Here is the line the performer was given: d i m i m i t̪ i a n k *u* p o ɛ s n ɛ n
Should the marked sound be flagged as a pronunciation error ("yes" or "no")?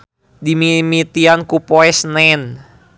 no